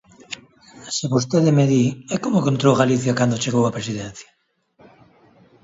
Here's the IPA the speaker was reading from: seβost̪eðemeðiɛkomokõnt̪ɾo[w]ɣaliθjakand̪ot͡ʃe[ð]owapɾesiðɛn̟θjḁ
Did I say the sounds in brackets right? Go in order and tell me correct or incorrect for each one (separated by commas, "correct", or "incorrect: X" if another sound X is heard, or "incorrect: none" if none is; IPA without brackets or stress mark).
correct, incorrect: ɣ